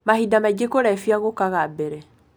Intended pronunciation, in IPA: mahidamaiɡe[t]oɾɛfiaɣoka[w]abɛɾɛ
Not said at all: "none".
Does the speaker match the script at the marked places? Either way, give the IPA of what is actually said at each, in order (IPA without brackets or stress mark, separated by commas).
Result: k, ɣ